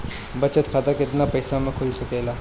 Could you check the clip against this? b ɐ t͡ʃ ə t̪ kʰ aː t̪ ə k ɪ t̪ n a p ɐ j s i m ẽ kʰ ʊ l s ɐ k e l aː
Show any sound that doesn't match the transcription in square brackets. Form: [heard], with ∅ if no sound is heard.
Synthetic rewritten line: b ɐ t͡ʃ ə t̪ kʰ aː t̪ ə k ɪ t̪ n a p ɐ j s [a] m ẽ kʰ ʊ l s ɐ k e l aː